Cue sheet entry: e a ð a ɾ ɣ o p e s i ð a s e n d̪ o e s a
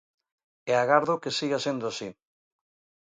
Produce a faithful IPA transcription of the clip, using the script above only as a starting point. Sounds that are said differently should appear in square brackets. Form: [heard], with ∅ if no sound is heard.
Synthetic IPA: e a [ɣ] a ɾ [ð] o [k] e s i [ɣ] a s e n d̪ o [a] s [i]